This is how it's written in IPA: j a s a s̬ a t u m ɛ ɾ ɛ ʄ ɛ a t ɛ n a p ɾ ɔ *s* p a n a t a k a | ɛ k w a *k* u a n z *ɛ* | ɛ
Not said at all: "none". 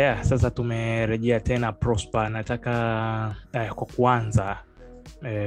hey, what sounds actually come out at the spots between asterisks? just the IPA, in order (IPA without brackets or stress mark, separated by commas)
s, k, a